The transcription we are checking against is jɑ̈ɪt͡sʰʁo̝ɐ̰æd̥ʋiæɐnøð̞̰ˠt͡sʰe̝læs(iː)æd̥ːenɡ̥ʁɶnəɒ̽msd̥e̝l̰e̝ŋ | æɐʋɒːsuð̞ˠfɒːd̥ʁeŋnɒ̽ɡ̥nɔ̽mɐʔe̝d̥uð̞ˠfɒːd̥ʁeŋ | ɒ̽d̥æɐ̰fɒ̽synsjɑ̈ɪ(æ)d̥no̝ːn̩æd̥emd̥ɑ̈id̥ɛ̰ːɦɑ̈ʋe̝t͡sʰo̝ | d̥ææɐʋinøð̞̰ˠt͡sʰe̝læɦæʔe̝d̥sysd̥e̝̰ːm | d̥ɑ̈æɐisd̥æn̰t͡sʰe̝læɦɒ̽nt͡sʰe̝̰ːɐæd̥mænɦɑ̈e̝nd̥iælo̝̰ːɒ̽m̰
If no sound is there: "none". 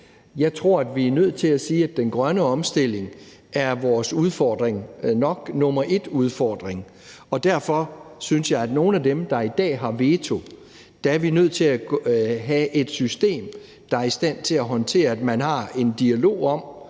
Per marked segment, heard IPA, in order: iː, æ

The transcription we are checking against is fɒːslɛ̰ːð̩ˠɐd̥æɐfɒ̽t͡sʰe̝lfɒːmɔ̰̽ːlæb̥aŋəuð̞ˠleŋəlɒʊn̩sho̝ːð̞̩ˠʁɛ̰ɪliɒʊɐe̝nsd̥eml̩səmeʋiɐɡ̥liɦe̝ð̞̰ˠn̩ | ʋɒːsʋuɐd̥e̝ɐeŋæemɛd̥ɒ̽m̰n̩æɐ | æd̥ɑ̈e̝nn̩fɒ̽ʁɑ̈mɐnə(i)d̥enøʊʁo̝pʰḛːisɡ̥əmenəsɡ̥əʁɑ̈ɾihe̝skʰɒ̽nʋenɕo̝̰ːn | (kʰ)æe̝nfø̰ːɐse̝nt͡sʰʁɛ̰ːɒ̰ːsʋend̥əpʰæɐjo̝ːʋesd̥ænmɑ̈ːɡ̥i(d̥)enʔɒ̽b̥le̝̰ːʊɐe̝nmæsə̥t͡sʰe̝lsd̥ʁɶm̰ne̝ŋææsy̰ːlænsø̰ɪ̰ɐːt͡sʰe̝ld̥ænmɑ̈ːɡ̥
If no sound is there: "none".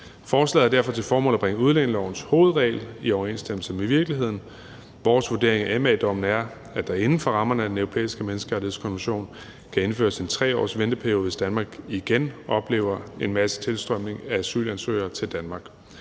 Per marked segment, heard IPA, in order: æ, kʰ, ɡ̥

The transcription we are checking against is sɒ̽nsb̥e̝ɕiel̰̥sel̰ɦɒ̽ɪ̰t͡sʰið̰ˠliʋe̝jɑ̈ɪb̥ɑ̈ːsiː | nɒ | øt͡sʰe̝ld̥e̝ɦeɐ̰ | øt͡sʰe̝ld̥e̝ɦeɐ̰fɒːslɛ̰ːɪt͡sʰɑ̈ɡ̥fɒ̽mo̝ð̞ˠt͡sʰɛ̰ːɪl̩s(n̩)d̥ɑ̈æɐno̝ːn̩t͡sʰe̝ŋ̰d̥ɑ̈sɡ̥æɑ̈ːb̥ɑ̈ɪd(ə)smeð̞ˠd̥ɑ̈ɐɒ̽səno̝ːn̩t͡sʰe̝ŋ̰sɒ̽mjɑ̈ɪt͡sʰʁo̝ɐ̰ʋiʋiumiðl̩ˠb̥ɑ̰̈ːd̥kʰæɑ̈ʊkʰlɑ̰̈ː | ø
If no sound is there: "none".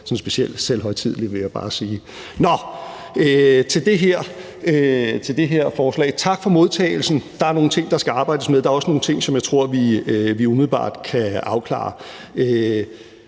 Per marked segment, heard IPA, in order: n̩, ə

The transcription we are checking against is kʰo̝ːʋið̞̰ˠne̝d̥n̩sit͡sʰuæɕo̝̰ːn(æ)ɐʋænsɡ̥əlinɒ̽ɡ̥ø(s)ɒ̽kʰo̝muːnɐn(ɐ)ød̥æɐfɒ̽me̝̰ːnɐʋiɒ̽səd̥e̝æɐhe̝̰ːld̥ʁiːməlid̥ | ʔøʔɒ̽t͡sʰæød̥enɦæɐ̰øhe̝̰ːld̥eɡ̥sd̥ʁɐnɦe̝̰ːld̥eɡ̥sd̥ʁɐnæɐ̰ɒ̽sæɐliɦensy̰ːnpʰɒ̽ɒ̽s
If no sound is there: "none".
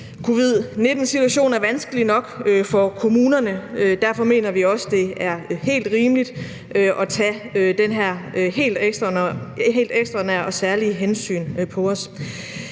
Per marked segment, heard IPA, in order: æ, f, ə

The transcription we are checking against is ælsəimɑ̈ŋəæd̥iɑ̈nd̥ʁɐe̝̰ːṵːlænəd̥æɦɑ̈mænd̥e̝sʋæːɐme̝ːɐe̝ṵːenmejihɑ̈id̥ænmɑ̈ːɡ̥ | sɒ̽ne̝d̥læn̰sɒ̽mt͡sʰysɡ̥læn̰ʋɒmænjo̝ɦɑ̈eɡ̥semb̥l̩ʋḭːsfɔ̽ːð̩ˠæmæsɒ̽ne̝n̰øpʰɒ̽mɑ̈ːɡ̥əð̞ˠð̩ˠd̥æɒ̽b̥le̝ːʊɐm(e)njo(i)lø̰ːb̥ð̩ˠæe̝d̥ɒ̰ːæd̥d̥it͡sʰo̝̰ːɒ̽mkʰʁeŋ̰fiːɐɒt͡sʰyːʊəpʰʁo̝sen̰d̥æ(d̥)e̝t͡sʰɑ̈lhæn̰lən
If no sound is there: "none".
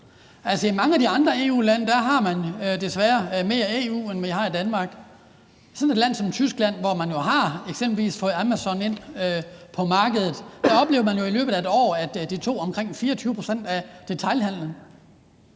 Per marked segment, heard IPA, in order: æ, i, d̥

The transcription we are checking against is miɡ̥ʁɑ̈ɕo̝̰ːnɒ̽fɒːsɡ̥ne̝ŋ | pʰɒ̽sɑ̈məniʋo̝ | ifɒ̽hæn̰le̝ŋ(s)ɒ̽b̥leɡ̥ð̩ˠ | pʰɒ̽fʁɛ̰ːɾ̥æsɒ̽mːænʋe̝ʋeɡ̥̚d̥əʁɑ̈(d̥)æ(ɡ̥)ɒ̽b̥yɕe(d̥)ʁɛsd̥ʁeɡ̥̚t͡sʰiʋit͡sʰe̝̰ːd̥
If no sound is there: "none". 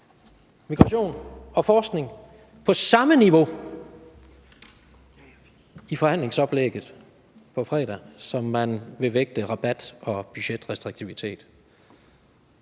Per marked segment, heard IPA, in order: s, b̥, d̥, d̥

